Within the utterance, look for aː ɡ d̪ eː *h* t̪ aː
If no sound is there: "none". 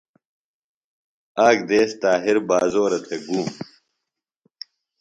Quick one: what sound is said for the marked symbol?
s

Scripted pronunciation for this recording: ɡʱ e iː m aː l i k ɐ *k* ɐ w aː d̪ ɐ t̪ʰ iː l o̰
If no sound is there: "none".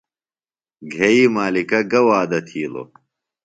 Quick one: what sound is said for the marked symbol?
ɡ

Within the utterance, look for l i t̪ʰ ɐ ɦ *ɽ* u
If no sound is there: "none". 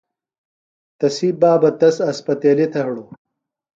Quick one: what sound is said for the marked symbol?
ɽ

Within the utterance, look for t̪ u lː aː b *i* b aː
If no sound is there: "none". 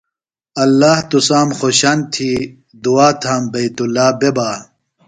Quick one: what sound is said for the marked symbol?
e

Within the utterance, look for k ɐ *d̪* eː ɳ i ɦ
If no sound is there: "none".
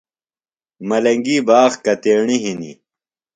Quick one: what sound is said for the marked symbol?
t̪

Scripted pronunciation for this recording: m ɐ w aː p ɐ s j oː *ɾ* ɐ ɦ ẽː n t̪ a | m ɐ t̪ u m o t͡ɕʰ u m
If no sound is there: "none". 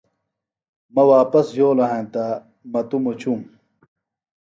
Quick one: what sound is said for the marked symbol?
l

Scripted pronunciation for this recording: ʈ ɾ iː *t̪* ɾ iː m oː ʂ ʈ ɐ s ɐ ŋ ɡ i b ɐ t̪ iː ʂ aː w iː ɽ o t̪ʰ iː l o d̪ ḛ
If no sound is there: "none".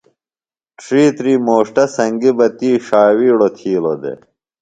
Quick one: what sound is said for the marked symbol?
t̪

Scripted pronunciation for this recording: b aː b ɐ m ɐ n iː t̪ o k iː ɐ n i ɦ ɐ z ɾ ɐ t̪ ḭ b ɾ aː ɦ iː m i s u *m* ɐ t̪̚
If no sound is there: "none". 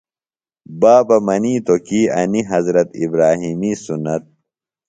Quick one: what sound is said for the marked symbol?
n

